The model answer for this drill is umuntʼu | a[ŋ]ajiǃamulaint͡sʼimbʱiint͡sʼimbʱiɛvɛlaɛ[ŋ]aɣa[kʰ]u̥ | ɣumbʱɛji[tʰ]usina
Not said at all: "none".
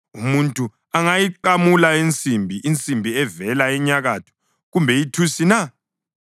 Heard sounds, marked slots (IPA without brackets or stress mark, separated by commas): ŋ, ɲ, tʰ, tʰ